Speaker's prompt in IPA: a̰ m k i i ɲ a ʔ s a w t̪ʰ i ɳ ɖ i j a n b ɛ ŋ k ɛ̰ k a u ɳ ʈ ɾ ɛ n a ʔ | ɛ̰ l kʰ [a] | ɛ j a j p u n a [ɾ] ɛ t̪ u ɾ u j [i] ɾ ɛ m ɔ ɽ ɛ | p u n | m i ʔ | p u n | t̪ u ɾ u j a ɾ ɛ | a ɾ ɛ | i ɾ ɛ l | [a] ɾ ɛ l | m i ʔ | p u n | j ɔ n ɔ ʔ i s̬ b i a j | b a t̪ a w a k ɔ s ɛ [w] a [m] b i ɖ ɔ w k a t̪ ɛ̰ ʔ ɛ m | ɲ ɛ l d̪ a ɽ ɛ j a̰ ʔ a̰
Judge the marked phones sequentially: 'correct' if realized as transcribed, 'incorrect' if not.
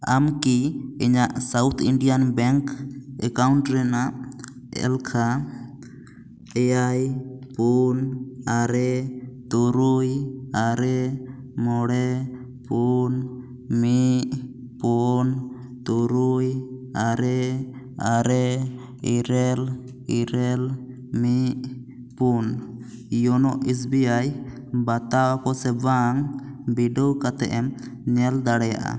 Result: correct, correct, incorrect, incorrect, incorrect, incorrect

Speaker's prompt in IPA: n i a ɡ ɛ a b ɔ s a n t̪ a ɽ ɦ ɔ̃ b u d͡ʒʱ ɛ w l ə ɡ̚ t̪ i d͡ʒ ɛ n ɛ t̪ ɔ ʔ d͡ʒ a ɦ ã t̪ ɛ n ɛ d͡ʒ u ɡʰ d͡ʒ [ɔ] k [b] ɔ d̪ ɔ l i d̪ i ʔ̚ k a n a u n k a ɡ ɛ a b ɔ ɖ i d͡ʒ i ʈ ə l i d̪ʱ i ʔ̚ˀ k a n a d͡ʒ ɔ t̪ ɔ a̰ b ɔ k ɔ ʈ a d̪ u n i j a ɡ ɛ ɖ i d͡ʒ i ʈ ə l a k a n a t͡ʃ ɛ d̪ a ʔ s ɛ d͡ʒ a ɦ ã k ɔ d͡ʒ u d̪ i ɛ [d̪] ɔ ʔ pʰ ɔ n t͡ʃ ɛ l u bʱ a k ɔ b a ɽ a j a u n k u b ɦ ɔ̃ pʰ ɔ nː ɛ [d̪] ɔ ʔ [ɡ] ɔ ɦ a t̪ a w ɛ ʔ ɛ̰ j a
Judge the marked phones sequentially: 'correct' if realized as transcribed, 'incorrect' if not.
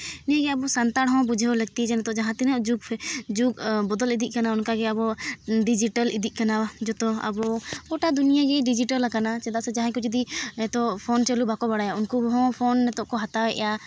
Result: incorrect, correct, incorrect, incorrect, incorrect

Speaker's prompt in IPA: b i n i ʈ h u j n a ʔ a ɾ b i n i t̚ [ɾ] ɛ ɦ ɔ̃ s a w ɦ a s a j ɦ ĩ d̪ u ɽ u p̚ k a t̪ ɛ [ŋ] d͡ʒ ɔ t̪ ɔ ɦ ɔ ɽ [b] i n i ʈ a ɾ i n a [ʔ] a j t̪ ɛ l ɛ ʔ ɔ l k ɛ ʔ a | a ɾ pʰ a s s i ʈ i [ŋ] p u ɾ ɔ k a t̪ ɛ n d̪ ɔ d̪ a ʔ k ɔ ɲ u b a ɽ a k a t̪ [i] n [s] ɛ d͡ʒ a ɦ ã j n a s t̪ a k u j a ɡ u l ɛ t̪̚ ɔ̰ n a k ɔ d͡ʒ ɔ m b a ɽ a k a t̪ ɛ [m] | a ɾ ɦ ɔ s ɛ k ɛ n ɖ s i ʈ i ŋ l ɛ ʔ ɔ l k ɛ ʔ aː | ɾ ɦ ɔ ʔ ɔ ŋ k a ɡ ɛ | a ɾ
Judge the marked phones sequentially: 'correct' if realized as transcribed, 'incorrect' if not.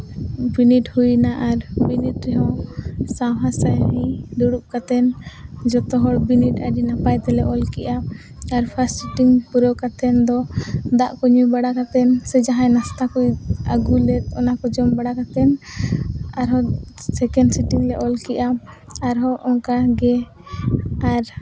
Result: correct, incorrect, correct, incorrect, correct, incorrect, correct, incorrect

